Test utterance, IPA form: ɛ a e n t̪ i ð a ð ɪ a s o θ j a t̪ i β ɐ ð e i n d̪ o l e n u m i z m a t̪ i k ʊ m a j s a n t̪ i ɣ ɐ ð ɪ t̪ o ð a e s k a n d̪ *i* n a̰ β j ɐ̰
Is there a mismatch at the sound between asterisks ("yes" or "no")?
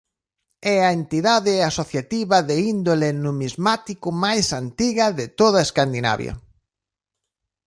no